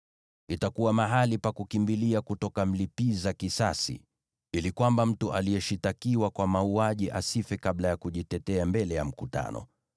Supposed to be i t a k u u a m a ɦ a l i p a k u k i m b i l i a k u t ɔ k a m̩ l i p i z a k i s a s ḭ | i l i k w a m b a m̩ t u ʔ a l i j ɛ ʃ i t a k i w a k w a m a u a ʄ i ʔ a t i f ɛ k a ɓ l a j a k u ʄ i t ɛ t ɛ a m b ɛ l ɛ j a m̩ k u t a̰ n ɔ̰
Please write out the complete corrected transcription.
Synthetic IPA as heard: i t a k u w a m a ɦ a l i p a k u k i m b i l i a k u t ɔ k a m̩ l i p i z a k i s a s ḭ | i l i k w a m b a m̩ t u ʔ a l i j ɛ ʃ i t a k i w a k w a m a u a ʄ i ʔ a s i f ɛ k a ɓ l a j a k u ʄ i t ɛ t ɛ a m b ɛ l ɛ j a m̩ k u t a̰ n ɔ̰